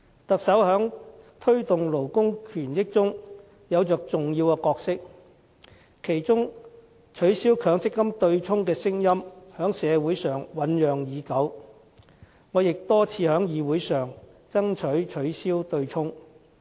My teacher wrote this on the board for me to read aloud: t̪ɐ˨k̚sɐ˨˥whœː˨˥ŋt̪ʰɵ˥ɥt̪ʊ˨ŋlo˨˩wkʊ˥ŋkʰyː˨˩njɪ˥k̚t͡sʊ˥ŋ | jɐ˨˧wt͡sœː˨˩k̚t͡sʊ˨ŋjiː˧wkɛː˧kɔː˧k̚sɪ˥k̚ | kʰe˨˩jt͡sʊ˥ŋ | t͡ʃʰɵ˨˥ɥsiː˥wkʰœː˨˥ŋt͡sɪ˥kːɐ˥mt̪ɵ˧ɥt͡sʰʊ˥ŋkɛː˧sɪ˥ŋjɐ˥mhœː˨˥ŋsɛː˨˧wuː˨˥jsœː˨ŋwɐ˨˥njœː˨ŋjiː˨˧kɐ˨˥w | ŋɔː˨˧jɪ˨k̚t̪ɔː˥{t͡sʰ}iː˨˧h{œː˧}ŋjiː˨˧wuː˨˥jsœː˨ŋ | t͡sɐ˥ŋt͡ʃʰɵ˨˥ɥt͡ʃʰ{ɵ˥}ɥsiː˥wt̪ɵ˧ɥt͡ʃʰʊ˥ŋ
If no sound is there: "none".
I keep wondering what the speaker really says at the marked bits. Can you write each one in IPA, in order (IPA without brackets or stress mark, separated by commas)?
t͡sʰ, œː˨˥, ɵ˨˥